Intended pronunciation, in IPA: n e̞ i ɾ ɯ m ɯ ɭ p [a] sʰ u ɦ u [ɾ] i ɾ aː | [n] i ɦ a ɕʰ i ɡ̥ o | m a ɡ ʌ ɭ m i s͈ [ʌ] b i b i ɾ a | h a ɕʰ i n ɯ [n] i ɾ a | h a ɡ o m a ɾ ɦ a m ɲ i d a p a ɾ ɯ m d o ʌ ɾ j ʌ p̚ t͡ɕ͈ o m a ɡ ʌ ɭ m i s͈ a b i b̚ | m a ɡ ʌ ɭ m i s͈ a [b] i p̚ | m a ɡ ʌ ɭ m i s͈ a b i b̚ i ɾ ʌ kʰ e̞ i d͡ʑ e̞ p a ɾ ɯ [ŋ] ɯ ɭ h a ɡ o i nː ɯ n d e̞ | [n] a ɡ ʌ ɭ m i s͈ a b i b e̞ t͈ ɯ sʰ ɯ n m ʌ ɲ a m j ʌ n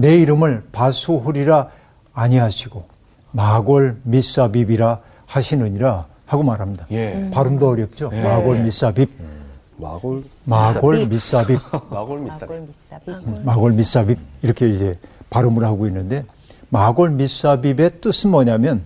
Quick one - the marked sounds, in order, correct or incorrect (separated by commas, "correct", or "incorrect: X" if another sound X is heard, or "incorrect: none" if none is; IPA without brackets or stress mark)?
correct, correct, incorrect: ɲ, incorrect: a, incorrect: ɲ, correct, incorrect: m, incorrect: m